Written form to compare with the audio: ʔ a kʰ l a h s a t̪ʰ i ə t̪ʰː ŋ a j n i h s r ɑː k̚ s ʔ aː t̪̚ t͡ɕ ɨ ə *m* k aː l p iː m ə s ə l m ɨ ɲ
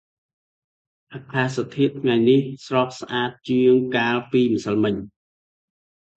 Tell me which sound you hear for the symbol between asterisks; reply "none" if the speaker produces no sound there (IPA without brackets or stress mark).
ŋ